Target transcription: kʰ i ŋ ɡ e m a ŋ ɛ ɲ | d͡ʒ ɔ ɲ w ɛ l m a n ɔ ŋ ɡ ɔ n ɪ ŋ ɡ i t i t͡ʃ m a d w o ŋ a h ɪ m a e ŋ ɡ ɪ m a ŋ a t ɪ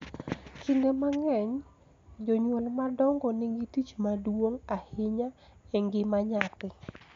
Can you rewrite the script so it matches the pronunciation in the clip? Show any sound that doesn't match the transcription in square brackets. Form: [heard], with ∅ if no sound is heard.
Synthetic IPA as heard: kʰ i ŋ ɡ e m a ŋ ɛ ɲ | d͡ʒ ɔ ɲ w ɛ l m a [d] ɔ ŋ ɡ ɔ n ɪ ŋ ɡ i t i t͡ʃ m a d w o ŋ a h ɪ [ɲ] a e ŋ ɡ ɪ m a [ɲ] a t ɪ